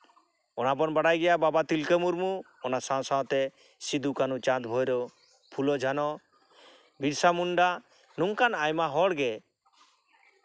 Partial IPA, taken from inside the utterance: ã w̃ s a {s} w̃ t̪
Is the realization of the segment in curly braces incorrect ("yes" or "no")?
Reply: yes